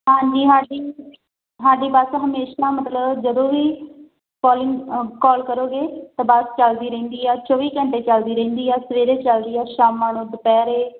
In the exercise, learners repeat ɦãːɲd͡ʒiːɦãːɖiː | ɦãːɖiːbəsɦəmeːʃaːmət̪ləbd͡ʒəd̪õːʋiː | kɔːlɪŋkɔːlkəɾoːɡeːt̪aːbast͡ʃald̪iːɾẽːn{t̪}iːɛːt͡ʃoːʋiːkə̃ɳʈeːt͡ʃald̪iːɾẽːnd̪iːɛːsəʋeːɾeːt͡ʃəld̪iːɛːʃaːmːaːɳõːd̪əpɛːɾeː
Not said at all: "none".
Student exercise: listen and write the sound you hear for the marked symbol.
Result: d̪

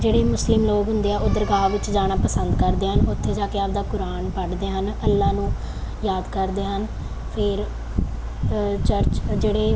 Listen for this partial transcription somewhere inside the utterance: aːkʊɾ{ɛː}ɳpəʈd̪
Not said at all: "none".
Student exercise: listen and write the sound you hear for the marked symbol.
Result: aː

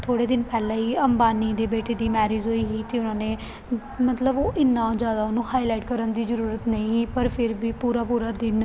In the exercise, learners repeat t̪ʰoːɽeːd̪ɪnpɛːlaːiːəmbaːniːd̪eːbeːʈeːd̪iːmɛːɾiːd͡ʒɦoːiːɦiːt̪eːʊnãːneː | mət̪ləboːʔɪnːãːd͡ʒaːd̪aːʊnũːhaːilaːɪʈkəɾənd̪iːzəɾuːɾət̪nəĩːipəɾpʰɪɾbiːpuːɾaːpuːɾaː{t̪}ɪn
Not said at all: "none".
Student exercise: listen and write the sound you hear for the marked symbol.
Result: d̪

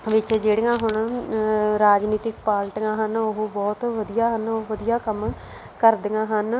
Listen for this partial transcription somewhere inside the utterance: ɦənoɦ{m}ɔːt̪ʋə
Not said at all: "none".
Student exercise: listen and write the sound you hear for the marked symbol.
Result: b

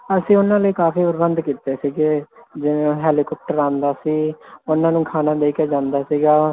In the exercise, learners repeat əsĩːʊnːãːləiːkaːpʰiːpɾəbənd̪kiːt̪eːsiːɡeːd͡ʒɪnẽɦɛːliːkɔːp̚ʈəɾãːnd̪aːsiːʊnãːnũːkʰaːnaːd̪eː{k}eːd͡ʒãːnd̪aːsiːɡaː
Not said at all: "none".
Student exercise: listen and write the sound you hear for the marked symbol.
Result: k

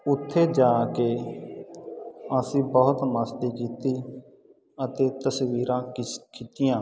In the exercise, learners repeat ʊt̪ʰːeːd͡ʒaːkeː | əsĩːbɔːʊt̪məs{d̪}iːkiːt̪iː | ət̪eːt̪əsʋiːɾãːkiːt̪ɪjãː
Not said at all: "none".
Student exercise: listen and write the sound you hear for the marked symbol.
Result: t̪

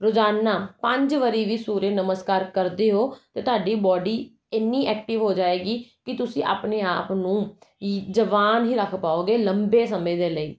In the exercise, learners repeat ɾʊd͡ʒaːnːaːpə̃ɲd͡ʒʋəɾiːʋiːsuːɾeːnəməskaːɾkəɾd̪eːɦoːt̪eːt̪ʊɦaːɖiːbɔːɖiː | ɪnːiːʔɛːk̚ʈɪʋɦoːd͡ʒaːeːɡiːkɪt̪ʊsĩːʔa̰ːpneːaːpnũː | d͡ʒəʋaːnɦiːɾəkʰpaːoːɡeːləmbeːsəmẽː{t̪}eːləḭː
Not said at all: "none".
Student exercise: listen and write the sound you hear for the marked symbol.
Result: d̪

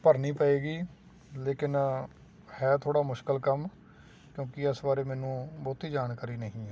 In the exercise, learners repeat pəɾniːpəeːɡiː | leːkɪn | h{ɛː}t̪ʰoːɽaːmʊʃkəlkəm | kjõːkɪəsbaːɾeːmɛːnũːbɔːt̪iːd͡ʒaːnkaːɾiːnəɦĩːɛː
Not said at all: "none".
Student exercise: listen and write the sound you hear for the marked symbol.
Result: ɛː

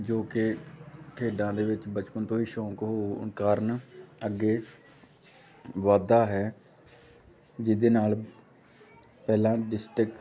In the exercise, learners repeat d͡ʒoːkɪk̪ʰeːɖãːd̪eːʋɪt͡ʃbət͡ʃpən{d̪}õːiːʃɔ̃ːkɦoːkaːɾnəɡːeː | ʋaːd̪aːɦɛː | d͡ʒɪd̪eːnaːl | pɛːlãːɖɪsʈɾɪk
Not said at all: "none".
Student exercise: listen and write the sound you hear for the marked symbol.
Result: t̪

